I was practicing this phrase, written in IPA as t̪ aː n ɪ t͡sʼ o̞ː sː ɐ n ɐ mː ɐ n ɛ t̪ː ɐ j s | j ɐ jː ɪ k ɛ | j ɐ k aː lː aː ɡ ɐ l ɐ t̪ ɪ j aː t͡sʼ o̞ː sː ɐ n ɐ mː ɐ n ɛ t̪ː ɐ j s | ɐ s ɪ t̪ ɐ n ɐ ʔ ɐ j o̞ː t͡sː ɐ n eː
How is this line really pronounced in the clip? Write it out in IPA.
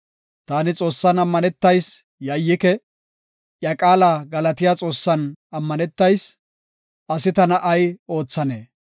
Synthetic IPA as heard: t̪ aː n ɪ t͡sʼ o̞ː sː ɐ n ɐ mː ɐ n ɛ t̪ː ɐ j s | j ɐ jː ɪ k ɛ | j ɐ kʼ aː l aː ɡ ɐ l ɐ t̪ ɪ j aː t͡sʼ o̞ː sː ɐ n ɐ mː ɐ n ɛ t̪ː ɐ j s | ɐ s ɪ t̪ ɐ n ɐ ʔ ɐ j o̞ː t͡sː ɐ n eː

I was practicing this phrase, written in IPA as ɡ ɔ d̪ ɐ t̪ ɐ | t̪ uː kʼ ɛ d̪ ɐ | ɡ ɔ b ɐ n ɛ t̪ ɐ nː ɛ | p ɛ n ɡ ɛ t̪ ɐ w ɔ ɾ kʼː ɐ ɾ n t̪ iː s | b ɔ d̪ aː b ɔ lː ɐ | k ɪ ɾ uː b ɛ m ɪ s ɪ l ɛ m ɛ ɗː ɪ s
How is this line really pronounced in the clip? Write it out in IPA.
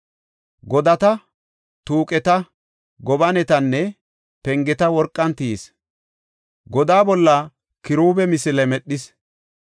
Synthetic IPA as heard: ɡ ɔ d̪ ɐ t̪ ɐ | t̪ uː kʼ ɛ t̪ ɐ | ɡ ɔ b ɐ n ɛ t̪ ɐ nː ɛ | p ɛ ŋ ɡ ɛ t̪ ɐ w ɔ ɾ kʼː ɐ n t̪ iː s | ɡ ɔ d̪ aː b ɔ lː ɐ | k ɪ ɾ uː b ɛ m ɪ s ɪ l ɛ m ɛ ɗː ɪ s

